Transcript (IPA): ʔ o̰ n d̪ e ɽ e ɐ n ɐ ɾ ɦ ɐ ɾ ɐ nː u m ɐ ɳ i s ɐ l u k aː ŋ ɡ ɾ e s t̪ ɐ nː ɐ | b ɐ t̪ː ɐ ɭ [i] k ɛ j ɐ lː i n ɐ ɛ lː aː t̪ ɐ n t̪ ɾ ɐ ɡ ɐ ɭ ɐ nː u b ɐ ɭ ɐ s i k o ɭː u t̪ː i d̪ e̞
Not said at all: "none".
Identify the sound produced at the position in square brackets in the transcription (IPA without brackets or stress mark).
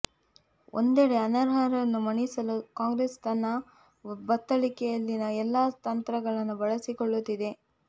i